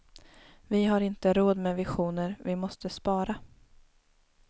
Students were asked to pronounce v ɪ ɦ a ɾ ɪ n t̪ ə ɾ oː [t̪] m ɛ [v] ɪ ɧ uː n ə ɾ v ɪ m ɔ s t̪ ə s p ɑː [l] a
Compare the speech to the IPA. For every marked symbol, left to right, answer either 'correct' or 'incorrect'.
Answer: incorrect: d̪, correct, incorrect: ɾ

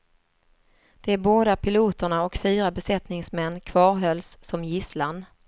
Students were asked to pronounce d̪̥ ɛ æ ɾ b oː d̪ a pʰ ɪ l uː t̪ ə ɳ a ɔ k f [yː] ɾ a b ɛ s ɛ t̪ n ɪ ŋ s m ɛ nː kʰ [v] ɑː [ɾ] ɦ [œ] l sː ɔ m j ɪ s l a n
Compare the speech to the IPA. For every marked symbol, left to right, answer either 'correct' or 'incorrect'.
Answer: correct, correct, correct, correct

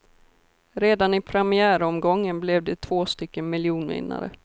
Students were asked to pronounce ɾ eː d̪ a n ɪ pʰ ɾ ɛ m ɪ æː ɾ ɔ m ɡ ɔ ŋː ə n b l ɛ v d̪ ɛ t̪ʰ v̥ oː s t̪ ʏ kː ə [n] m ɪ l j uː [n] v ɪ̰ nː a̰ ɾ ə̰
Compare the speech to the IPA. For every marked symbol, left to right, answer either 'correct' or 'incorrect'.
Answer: correct, correct

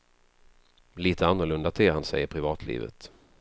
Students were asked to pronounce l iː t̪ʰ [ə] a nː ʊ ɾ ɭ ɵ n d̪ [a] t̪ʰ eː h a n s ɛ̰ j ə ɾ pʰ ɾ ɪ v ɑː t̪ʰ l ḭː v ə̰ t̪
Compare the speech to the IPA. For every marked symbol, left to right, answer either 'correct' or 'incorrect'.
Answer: correct, correct

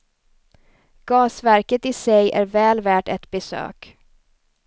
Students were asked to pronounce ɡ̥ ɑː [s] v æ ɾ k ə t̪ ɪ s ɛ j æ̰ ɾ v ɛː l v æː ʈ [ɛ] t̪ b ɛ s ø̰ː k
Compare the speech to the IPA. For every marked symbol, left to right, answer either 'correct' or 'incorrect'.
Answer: correct, correct

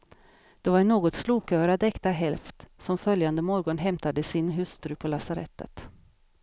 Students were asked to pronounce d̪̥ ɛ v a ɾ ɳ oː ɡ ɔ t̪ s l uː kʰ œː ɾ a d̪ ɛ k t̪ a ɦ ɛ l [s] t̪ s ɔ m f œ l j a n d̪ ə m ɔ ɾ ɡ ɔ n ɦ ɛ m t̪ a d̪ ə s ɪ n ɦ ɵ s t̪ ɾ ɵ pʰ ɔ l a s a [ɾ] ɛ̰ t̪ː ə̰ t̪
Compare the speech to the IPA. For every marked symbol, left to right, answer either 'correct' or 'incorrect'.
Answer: incorrect: f, correct

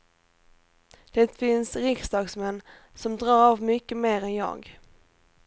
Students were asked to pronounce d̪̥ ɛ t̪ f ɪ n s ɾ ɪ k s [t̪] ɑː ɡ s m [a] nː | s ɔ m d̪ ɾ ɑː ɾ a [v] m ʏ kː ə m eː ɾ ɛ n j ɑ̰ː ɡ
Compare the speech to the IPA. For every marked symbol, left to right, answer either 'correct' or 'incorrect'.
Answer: incorrect: d̪, incorrect: ɛ, correct

